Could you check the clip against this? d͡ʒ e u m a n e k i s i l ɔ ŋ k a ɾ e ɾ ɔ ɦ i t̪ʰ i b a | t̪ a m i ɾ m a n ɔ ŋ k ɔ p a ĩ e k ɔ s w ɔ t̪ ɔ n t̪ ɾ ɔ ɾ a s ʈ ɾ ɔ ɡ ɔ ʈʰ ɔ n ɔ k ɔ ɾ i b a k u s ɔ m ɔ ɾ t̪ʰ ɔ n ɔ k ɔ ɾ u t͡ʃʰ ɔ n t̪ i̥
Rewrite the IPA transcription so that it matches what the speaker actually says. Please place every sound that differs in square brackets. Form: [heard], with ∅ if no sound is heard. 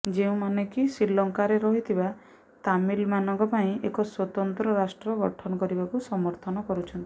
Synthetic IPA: d͡ʒ e [ũ] m a n e k i s i l ɔ ŋ k a ɾ e ɾ ɔ ɦ i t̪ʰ i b a | t̪ a m i [l] m a n ɔ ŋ k ɔ p a ĩ e k ɔ s w ɔ t̪ ɔ n t̪ ɾ ɔ ɾ a s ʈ ɾ ɔ ɡ ɔ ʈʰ ɔ n ɔ k ɔ ɾ i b a k u s ɔ m ɔ ɾ t̪ʰ ɔ n ɔ k ɔ ɾ u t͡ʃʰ ɔ n t̪ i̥